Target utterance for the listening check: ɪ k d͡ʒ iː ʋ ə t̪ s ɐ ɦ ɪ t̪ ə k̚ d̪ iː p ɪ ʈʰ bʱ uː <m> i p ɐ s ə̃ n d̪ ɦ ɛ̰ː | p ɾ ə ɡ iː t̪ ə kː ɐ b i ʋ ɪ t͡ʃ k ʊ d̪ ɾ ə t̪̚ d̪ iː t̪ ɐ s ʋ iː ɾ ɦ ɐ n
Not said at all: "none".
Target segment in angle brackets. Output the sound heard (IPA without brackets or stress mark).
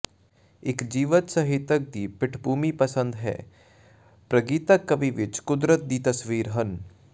m